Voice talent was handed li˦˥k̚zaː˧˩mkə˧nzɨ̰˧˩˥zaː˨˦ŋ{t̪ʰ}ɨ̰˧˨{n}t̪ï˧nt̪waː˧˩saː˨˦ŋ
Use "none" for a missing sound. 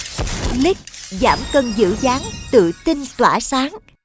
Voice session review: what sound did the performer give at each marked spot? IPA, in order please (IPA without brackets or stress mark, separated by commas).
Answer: t̪, none